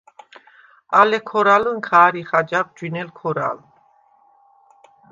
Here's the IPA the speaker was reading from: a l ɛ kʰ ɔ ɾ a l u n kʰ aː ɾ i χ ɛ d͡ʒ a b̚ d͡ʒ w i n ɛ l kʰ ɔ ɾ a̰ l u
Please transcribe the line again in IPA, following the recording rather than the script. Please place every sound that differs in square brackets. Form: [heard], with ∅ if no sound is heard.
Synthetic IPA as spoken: a l ɛ kʰ ɔ ɾ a l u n kʰ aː ɾ i χ [a] d͡ʒ a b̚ d͡ʒ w i n ɛ l kʰ ɔ ɾ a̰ l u